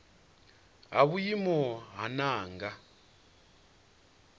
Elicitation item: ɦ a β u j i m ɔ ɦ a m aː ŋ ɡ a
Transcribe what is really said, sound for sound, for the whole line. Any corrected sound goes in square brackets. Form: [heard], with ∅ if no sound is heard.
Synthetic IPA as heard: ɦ a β u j i m ɔ ɦ a [n] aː ŋ ɡ a